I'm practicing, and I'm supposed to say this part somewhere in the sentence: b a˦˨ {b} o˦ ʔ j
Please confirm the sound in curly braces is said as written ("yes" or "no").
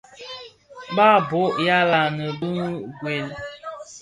yes